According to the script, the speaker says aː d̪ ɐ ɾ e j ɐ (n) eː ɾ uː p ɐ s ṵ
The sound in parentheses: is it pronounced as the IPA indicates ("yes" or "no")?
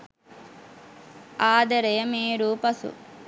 no